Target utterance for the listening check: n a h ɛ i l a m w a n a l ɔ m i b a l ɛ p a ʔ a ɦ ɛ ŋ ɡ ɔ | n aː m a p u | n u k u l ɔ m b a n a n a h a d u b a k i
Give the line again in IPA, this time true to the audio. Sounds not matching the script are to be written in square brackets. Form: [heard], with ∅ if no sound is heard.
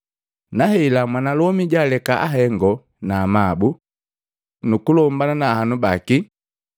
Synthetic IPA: n a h ɛ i l a m w a n a l ɔ m i [ɟ] a l ɛ [k] a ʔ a ɦ ɛ ŋ ɡ ɔ | n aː m a [b] u | n u k u l ɔ m b a n a n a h a [n] u b a k i